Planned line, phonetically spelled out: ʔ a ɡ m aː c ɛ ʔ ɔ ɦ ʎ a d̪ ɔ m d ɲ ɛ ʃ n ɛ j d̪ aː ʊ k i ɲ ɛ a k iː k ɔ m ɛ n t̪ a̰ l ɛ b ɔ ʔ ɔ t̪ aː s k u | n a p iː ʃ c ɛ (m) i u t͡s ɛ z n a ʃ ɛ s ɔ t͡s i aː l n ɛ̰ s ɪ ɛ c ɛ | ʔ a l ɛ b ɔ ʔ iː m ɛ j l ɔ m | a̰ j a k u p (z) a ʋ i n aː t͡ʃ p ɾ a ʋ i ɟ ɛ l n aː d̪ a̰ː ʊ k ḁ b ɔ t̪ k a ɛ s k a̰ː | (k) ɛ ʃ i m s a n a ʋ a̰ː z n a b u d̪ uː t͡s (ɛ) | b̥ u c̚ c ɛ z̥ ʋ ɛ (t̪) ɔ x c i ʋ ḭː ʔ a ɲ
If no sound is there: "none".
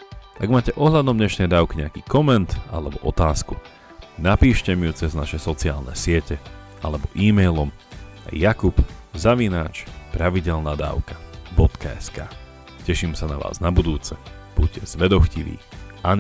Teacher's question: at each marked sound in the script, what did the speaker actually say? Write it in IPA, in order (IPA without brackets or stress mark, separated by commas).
m, z, c, ɛ, d̪